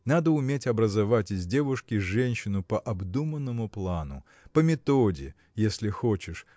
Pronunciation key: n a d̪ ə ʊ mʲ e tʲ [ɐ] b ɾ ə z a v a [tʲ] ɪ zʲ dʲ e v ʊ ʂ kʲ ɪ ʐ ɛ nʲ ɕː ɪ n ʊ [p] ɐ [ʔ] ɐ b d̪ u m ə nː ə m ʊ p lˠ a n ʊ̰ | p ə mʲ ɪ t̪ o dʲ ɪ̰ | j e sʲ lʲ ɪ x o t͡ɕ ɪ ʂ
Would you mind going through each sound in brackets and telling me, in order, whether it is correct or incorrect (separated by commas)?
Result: correct, correct, correct, correct